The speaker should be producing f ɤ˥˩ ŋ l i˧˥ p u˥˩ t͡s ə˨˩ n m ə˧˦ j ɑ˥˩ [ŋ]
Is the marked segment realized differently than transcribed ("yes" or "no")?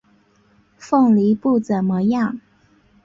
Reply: no